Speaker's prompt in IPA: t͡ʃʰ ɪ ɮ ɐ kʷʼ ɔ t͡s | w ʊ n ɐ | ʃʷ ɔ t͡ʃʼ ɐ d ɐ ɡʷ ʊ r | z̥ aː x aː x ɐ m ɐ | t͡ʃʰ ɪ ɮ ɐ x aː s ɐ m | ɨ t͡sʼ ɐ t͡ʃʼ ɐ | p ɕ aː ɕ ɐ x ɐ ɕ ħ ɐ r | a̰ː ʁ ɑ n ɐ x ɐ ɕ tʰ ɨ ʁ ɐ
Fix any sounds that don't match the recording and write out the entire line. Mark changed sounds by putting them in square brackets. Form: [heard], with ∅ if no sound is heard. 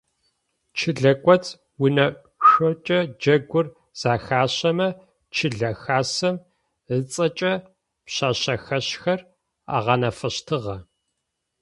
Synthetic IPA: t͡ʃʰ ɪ ɮ ɐ kʷʼ ɔ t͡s | w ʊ n ɐ | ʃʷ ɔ t͡ʃʼ ɐ [d͡ʒ] ɐ ɡʷ ʊ r | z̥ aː x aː [ɕ] ɐ m ɐ | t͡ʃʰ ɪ ɮ ɐ x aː s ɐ m | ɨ t͡sʼ ɐ t͡ʃʼ ɐ | p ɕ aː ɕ ɐ x ɐ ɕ [x] ɐ r | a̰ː ʁ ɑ n ɐ [f] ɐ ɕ tʰ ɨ ʁ ɐ

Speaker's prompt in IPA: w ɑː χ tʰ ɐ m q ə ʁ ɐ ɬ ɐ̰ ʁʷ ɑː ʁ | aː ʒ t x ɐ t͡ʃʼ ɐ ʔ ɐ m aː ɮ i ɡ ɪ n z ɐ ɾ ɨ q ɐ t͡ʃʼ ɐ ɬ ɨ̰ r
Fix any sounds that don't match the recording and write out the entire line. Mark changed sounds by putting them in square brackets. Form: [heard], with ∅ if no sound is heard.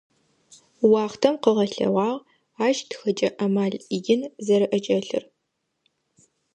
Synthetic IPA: w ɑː χ tʰ ɐ m q ə ʁ ɐ ɬ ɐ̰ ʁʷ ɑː ʁ | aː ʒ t x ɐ t͡ʃʼ ɐ ʔ ɐ m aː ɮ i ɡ ɪ n z ɐ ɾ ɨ [ʔ] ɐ t͡ʃʼ ɐ ɬ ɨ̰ r

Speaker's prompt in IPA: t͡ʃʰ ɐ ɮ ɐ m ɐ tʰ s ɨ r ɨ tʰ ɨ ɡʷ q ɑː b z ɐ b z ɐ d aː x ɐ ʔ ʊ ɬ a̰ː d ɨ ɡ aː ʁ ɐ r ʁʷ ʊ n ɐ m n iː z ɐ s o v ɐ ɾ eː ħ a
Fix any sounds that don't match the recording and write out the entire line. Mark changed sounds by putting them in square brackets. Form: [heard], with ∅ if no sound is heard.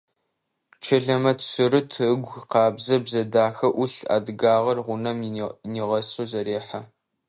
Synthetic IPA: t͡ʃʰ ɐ ɮ ɐ m ɐ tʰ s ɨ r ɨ tʰ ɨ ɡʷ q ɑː b z ɐ b z ɐ d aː x ɐ ʔ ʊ ɬ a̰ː d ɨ ɡ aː ʁ ɐ r ʁʷ ʊ n ɐ m n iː [ʁ] ɐ s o [z] ɐ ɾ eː ħ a

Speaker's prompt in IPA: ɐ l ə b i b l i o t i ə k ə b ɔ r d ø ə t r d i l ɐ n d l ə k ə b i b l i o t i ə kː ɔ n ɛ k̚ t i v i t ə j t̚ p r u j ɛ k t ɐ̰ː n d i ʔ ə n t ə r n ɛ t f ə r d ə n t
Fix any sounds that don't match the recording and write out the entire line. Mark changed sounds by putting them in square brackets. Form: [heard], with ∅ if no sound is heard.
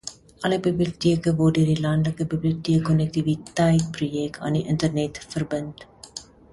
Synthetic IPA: ɐ l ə b i b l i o t i ə k ə [v] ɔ r d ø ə [∅] r d i l ɐ n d l ə k ə b i b l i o t i ə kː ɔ n ɛ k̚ t i v i t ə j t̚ p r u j ɛ k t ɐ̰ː n d i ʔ ə n t ə r n ɛ t f ə r [b] ə n t

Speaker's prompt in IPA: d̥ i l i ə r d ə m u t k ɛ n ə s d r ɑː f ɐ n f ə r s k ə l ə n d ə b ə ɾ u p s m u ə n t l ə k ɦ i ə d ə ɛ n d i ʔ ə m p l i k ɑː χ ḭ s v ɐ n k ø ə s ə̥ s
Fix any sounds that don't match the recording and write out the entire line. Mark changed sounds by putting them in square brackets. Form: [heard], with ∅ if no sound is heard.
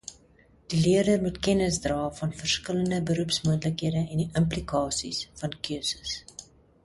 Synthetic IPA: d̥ i l i ə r d ə m u t k ɛ n ə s d r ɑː f ɐ n f ə r s k ə l ə n d ə b ə ɾ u p s m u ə n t l ə k ɦ i ə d ə ɛ n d i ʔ ə m p l i k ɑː [s] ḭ s [f] ɐ n k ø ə s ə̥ s

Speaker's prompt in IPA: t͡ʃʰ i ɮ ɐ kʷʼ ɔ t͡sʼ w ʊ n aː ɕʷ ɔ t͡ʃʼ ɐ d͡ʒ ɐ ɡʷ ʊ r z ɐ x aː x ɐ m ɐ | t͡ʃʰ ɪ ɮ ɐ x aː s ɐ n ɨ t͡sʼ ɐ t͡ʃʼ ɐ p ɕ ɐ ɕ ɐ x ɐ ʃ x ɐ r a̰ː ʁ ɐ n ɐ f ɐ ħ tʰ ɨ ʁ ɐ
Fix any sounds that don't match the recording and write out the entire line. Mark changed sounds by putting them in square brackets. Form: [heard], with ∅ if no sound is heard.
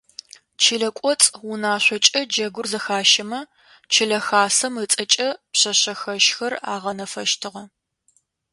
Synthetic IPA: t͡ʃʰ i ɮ ɐ kʷʼ ɔ t͡sʼ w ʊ n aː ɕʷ ɔ t͡ʃʼ ɐ d͡ʒ ɐ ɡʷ ʊ r z ɐ x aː [ʃ] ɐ m ɐ | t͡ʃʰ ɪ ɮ ɐ x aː s ɐ [m] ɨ t͡sʼ ɐ t͡ʃʼ ɐ p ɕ ɐ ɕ ɐ x ɐ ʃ x ɐ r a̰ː ʁ ɐ n ɐ f ɐ [ʃ] tʰ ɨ ʁ ɐ

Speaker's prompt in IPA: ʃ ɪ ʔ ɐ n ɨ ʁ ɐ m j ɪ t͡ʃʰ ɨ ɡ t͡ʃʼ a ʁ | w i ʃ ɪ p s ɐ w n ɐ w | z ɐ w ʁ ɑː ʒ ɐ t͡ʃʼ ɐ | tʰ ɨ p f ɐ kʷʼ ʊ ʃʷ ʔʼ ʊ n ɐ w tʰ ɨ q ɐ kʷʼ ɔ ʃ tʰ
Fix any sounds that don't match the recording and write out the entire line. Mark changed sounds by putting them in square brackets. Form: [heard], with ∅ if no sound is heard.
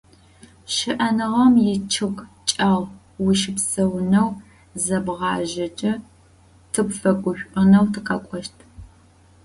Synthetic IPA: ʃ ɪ ʔ ɐ n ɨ ʁ ɐ m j ɪ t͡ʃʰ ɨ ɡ t͡ʃʼ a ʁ | w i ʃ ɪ p s ɐ w n ɐ w | z ɐ [b] ʁ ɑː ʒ ɐ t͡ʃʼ ɐ | tʰ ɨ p f ɐ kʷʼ ʊ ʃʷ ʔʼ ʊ n ɐ w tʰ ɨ q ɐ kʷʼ ɔ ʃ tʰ

